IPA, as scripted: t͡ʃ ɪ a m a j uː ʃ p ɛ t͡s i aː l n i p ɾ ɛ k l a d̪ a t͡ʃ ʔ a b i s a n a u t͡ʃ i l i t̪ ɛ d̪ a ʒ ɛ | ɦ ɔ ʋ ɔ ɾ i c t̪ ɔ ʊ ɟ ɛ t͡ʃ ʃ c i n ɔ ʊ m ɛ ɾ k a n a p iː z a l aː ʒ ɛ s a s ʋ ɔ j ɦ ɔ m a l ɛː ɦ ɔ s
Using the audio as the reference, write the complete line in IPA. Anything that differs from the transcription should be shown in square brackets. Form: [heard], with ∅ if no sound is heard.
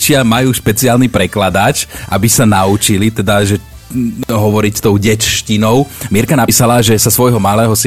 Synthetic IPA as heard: t͡ʃ ɪ a m a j uː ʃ p ɛ t͡s i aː l n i p ɾ ɛ k l a d̪ a t͡ʃ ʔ a b i s a n a u t͡ʃ i l i t̪ ɛ d̪ a ʒ ɛ | ɦ ɔ ʋ ɔ ɾ i c t̪ ɔ ʊ ɟ ɛ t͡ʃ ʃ c i n ɔ ʊ m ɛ ɾ k a n a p iː [s] a l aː ʒ ɛ s a s ʋ ɔ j ɦ ɔ m a l ɛː ɦ ɔ s